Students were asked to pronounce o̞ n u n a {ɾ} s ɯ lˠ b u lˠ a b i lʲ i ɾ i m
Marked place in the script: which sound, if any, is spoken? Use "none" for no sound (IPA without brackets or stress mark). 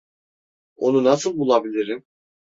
none